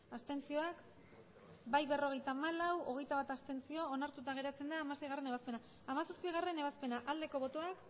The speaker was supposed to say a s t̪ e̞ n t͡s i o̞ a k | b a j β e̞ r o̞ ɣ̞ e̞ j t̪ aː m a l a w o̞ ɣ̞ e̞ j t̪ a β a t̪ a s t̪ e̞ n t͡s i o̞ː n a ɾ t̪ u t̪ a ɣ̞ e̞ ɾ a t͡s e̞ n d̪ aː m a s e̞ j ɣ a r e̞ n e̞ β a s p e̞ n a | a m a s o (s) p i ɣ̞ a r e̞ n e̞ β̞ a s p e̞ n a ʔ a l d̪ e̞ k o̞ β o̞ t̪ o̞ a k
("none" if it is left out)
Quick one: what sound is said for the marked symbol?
s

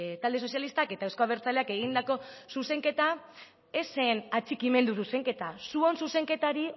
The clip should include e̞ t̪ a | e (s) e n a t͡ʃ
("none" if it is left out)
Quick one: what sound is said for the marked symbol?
s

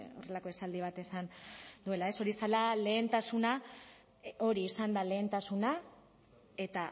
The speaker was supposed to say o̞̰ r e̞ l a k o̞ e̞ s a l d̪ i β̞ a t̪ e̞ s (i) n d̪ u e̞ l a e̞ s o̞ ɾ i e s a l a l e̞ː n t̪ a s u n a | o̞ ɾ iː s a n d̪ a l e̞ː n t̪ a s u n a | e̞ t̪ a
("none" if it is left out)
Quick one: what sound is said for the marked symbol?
a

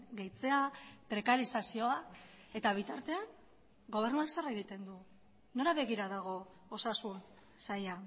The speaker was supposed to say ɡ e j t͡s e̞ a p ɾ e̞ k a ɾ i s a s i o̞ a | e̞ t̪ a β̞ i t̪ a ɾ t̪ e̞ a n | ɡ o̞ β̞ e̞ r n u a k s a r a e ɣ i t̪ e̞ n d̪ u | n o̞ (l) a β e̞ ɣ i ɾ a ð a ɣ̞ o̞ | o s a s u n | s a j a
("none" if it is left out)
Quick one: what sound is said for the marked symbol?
ɾ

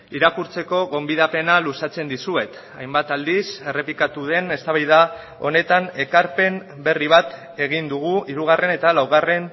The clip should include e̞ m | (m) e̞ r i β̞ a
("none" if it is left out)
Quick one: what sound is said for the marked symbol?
b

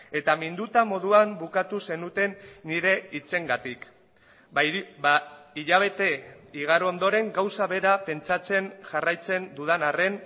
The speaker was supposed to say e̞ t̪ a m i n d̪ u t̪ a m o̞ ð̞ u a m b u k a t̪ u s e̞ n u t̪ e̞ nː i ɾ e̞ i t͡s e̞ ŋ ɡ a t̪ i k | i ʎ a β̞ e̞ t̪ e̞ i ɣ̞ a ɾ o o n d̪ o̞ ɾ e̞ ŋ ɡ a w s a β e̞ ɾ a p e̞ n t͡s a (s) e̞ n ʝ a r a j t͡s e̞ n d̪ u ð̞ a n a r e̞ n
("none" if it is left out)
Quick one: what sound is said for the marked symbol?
t͡s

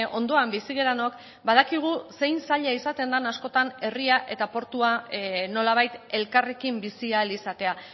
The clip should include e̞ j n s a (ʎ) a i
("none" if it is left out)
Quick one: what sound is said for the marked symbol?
ʎ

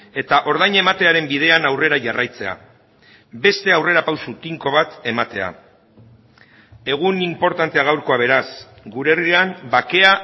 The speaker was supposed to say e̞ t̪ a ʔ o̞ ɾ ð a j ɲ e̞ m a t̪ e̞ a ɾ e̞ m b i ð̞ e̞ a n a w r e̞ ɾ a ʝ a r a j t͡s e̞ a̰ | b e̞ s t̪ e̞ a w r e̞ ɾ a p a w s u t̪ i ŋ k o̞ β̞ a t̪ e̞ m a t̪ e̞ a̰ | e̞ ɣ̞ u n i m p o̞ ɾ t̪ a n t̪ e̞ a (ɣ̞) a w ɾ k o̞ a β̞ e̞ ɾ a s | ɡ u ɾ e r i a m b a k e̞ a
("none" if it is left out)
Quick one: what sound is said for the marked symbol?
ɣ̞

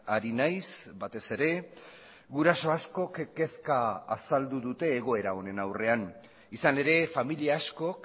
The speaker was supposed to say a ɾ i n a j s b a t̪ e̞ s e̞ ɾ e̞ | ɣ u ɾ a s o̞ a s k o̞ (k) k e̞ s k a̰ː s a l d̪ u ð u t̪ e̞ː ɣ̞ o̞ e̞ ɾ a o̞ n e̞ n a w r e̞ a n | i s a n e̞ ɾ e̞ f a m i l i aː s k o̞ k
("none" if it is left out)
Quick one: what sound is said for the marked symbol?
k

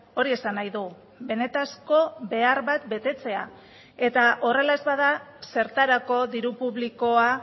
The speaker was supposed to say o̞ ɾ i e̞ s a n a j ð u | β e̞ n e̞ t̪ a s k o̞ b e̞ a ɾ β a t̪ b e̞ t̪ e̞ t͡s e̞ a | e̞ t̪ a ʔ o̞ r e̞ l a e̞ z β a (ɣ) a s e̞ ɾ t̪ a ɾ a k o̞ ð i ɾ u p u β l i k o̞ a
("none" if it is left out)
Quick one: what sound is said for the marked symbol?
ð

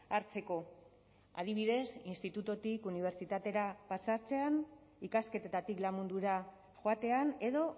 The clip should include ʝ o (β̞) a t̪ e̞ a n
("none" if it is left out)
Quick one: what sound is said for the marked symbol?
none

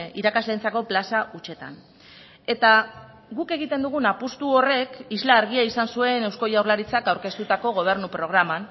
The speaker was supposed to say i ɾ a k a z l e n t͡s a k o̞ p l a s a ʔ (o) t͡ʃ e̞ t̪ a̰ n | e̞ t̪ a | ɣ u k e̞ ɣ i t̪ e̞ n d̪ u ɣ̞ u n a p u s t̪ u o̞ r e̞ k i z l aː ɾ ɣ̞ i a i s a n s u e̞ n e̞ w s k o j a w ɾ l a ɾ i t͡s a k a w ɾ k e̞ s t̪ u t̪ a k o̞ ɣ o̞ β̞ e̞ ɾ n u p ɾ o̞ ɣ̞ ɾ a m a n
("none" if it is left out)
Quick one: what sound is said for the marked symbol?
u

